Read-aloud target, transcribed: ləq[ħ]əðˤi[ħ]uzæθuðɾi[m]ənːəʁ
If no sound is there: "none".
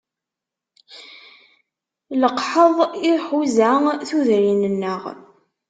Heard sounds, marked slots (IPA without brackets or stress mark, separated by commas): ħ, ħ, n